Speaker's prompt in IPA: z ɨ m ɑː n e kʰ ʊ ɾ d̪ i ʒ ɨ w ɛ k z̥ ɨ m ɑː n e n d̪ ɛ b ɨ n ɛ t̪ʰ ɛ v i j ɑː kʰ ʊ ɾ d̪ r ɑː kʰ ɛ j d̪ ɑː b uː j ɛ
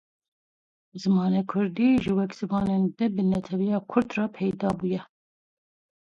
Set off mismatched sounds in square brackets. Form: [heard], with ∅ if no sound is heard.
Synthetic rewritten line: z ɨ m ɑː n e kʰ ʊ ɾ d̪ i ʒ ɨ w ɛ k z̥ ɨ m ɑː n e n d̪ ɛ b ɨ n ɛ t̪ʰ ɛ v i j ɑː kʰ ʊ ɾ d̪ r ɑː [pʰ] ɛ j d̪ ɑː b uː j ɛ